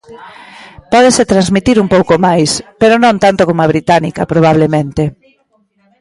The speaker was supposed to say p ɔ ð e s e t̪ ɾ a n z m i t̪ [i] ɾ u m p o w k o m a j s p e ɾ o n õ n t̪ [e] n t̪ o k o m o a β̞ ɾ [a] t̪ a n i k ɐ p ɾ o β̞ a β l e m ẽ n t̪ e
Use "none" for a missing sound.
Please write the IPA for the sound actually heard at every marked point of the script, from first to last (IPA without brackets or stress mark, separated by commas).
i, a, i